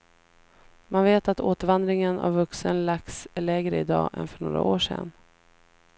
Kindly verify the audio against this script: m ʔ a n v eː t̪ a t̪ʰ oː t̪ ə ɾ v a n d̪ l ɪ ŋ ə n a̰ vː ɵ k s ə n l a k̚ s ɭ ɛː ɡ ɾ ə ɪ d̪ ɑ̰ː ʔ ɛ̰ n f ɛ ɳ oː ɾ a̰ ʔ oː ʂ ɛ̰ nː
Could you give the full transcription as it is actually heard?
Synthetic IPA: m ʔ a n v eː t̪ a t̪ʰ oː t̪ ə ɾ v a n d̪ ɾ ɪ ŋ ə n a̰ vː ɵ k s ə n l a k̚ s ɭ ɛː ɡ ɾ ə ɪ d̪ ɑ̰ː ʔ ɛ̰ n f œ ɳ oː ɾ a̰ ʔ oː ʂ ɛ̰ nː